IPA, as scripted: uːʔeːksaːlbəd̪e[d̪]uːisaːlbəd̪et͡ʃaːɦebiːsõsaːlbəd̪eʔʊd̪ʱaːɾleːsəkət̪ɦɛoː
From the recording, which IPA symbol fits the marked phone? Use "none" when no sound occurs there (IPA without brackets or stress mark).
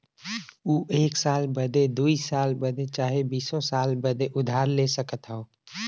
d̪